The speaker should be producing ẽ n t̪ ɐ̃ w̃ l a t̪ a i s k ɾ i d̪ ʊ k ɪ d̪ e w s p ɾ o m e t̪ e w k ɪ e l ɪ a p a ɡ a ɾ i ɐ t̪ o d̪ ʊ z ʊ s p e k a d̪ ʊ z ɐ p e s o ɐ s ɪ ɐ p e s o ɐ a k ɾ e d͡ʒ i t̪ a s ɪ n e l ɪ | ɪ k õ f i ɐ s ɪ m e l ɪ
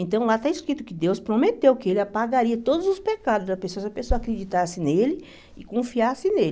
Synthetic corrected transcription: ẽ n t̪ ɐ̃ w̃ l a t̪ a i s k ɾ i t̪ ʊ k ɪ d̪ e w s p ɾ o m e t̪ e w k ɪ e l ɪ a p a ɡ a ɾ i ɐ t̪ o d̪ ʊ z ʊ s p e k a d̪ ʊ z ɐ p e s o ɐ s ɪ ɐ p e s o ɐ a k ɾ e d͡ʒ i t̪ a s ɪ n e l ɪ | ɪ k õ f i a s ɪ n e l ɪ

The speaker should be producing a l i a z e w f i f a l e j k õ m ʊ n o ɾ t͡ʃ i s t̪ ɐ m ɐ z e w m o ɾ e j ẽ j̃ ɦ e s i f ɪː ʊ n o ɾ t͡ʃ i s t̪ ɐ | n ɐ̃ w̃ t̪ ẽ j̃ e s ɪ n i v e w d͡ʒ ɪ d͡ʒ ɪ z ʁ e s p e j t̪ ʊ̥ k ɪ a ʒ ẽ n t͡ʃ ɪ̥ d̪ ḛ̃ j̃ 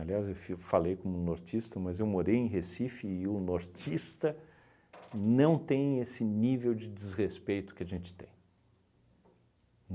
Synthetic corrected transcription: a l i a z e w f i f a l e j k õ m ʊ n o ɾ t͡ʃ i s t̪ ɐ m ɐ z e w m o ɾ e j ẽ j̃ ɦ e s i f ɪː ʊ n o ɾ t͡ʃ i s t̪ ɐ | n ɐ̃ w̃ t̪ ẽ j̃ e s ɪ n i v e w d͡ʒ ɪ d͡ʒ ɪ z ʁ e s p e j t̪ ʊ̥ k ɪ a ʒ ẽ n t͡ʃ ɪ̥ t̪ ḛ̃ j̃

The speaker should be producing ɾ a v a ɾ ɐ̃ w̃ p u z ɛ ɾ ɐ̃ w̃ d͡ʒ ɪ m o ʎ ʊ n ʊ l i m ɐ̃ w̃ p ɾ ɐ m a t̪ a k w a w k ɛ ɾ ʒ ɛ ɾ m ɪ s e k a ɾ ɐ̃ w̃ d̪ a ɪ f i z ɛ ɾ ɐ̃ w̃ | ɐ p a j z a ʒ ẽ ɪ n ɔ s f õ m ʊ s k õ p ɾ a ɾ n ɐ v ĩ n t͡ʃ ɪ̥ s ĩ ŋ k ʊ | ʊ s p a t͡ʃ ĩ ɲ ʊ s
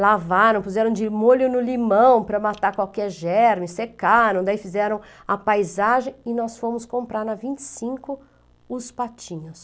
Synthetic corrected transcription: l a v a ɾ ɐ̃ w̃ p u z ɛ ɾ ɐ̃ w̃ d͡ʒ ɪ m o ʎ ʊ n ʊ l i m ɐ̃ w̃ p ɾ ɐ m a t̪ a k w a w k ɛ ɾ ʒ ɛ ɾ m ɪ s e k a ɾ ɐ̃ w̃ d̪ a i f i z ɛ ɾ ɐ̃ w̃ | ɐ p a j z a ʒ ẽ ɪ n ɔ s f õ m ʊ s k õ p ɾ a ɾ n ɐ v ĩ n t͡ʃ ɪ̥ s ĩ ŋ k ʊ | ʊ s p a t͡ʃ ĩ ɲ ʊ s

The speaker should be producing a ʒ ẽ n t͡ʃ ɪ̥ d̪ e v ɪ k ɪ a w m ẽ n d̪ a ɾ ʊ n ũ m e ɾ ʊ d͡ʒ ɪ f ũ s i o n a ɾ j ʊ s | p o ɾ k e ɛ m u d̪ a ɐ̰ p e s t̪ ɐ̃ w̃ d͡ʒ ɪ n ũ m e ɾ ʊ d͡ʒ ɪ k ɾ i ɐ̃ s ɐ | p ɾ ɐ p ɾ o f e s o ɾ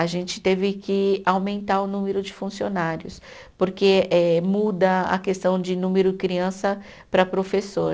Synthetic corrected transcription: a ʒ ẽ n t͡ʃ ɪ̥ t̪ e v ɪ k ɪ a w m ẽ n t̪ a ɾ ʊ n ũ m e ɾ ʊ d͡ʒ ɪ f ũ s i o n a ɾ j ʊ s | p o ɾ k e ɛ m u d̪ ɐ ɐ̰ k e s t̪ ɐ̃ w̃ d͡ʒ ɪ n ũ m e ɾ ʊ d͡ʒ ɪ k ɾ i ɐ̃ s ɐ | p ɾ ɐ p ɾ o f e s o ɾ

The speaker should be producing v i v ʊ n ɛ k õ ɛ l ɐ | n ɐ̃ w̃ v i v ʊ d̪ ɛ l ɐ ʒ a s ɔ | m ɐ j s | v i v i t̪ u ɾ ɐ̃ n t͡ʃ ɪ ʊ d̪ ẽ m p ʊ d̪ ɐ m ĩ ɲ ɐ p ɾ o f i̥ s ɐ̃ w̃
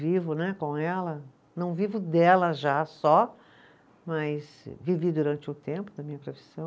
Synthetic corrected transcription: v i v ʊ n ɛ k õ ɛ l ɐ | n ɐ̃ w̃ v i v ʊ d̪ ɛ l ɐ ʒ a s ɔ | m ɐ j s | v i v i d̪ u ɾ ɐ̃ n t͡ʃ ɪ ʊ t̪ ẽ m p ʊ d̪ ɐ m ĩ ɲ ɐ p ɾ o f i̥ s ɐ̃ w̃

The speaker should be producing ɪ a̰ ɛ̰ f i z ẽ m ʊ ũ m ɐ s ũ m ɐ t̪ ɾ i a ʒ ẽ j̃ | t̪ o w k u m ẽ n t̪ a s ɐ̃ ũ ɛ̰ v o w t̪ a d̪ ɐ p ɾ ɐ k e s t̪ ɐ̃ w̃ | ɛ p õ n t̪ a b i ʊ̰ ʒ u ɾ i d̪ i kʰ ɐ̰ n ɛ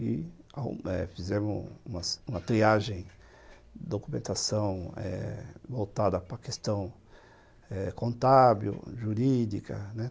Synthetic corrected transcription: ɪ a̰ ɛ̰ f i z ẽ m ʊ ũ m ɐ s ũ m ɐ t̪ ɾ i a ʒ ẽ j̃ | d̪ o k u m ẽ n t̪ a s ɐ̃ w̃ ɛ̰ v o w t̪ a d̪ ɐ p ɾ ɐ k e s t̪ ɐ̃ w̃ | ɛ k õ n t̪ a b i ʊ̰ ʒ u ɾ i d̪ i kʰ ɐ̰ n ɛ

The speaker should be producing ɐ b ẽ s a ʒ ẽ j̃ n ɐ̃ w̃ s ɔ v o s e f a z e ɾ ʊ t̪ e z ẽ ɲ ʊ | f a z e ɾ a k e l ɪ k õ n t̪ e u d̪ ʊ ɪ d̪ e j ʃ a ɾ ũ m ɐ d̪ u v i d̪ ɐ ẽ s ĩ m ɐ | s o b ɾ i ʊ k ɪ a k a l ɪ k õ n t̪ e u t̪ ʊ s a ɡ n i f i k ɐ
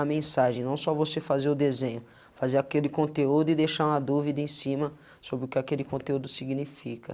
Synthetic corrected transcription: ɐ m ẽ s a ʒ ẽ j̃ n ɐ̃ w̃ s ɔ v o s e f a z e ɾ ʊ d̪ e z ẽ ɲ ʊ | f a z e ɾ a k e l ɪ k õ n t̪ e u d̪ ʊ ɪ d̪ e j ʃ a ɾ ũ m ɐ d̪ u v i d̪ ɐ ẽ s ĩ m ɐ | s o b ɾ ɪ ʊ k ɪ a k e l ɪ k õ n t̪ e u d̪ ʊ s i ɡ n i f i k ɐ

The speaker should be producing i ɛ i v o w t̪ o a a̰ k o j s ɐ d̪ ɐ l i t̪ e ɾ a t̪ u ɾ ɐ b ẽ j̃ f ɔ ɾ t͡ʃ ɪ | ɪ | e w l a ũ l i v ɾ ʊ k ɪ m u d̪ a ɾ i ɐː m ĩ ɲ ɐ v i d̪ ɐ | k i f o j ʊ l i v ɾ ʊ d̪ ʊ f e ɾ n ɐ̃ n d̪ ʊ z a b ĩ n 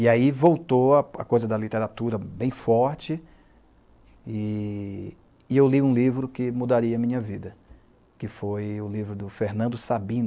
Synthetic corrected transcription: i a i v o w t̪ o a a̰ k o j z ɐ d̪ ɐ l i t̪ e ɾ a t̪ u ɾ ɐ b ẽ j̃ f ɔ ɾ t͡ʃ ɪ | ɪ | e w l i ũ l i v ɾ ʊ k ɪ m u d̪ a ɾ i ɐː m ĩ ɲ ɐ v i d̪ ɐ | k ɪ f o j ʊ l i v ɾ ʊ d̪ ʊ f e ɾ n ɐ̃ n d̪ ʊ s a b ĩ n

